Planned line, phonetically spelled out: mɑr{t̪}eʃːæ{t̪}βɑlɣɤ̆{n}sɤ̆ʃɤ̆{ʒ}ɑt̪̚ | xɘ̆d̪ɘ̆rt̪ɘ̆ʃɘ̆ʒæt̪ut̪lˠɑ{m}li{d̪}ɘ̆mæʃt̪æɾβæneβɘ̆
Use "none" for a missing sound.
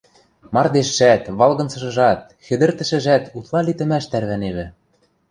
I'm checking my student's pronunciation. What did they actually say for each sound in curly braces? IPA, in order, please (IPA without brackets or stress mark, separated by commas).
d̪, t̪, n, ʒ, none, t̪